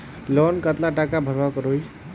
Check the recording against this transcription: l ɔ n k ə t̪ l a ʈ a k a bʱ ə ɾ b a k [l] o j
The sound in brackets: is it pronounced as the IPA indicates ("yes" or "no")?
no